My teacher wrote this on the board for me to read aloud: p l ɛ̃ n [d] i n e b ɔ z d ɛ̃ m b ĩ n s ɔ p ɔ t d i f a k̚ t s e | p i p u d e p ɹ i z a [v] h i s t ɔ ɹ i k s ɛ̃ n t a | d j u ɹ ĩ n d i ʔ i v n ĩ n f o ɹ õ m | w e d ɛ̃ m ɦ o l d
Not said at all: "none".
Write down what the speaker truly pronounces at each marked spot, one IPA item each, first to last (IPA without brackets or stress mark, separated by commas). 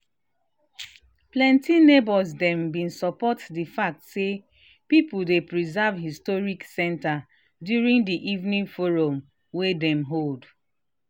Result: t, v